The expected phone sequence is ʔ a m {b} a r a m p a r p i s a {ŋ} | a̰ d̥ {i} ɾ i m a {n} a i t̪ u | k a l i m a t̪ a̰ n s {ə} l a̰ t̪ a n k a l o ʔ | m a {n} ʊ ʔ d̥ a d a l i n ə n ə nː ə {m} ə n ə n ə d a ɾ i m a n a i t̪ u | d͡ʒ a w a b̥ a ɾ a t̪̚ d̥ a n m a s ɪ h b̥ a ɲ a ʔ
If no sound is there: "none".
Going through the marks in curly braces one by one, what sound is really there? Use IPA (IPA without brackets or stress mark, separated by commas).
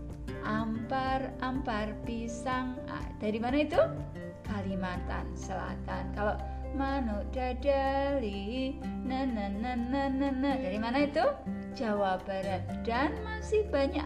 p, ŋ, a, n, ə, n, n